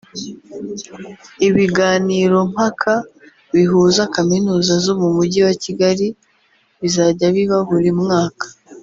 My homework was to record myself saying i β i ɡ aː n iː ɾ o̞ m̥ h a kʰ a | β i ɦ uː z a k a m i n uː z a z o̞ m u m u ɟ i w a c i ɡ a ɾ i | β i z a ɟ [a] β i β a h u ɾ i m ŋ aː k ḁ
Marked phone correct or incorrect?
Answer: correct